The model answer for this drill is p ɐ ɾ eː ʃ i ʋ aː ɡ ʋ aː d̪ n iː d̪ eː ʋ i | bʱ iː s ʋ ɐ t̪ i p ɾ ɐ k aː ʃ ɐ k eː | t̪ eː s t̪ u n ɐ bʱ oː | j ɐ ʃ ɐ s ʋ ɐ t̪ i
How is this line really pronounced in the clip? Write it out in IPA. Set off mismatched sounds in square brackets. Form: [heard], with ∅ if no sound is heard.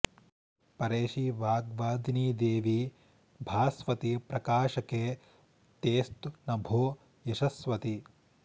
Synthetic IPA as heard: p ɐ ɾ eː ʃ i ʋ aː ɡ ʋ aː d̪ n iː d̪ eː ʋ i | bʱ [aː] s ʋ ɐ t̪ i p ɾ ɐ k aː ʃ ɐ k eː | t̪ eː s t̪ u n ɐ bʱ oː | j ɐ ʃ ɐ s ʋ ɐ t̪ i